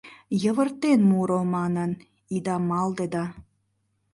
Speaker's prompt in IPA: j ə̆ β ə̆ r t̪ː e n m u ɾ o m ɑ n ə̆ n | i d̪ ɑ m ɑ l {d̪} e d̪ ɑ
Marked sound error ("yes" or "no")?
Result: no